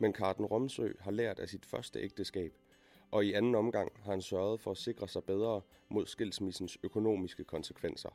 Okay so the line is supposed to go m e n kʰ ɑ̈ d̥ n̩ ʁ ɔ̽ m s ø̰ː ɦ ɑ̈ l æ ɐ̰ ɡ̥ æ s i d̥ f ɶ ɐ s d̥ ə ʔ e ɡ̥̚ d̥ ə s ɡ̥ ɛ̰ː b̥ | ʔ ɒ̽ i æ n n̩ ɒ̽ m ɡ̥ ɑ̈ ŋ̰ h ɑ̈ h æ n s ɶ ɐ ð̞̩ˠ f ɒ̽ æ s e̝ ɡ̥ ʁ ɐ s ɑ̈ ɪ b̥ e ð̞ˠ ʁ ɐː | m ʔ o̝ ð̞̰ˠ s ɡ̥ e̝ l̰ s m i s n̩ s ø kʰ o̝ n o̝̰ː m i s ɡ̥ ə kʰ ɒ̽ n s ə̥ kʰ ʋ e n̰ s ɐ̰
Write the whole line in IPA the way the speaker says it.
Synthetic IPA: m e n kʰ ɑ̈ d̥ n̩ ʁ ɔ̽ m s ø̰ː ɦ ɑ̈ l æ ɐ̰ d̥ æ s i d̥ f ɶ ɐ s d̥ ə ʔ e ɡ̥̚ d̥ ə s ɡ̥ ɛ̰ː b̥ | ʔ ɒ̽ i æ n n̩ ɒ̽ m ɡ̥ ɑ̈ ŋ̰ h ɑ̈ h æ n s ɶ ɐ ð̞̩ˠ f ɒ̽ æ s e̝ ɡ̥ ʁ ɐ s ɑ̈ ɪ b̥ e ð̞ˠ ʁ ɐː | m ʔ o̝ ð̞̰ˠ s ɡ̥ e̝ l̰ s m i s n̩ s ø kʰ o̝ n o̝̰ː m i s ɡ̥ ə kʰ ɒ̽ n s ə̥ kʰ ʋ e n̰ s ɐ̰